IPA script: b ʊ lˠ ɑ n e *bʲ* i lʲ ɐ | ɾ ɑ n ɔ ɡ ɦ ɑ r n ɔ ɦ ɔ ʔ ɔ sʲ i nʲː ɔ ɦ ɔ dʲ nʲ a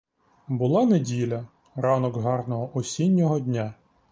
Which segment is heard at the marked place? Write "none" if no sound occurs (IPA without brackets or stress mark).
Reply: dʲ